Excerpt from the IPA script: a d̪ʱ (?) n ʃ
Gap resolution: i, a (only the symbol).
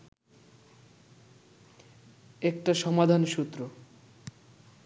a